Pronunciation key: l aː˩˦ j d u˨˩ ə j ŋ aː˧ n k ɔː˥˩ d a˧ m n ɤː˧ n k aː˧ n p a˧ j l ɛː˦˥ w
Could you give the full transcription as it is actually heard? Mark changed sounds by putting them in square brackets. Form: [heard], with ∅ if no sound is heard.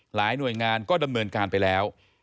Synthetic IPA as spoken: l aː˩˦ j [n] u˨˩ ə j ŋ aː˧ n k ɔː˥˩ d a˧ m n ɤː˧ n k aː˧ n p a˧ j l ɛː˦˥ w